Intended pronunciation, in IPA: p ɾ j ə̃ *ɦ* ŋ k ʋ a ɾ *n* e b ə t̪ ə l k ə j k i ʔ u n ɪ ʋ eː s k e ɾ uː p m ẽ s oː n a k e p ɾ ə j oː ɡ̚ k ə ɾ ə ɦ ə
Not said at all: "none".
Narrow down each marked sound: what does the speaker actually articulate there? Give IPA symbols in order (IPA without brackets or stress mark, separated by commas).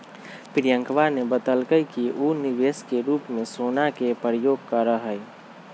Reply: none, n